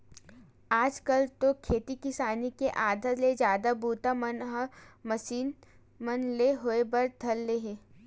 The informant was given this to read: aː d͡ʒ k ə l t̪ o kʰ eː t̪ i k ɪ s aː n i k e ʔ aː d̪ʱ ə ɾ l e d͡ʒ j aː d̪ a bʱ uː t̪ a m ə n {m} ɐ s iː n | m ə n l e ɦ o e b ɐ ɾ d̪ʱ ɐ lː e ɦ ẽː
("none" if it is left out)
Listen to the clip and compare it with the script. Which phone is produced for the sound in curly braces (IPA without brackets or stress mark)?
m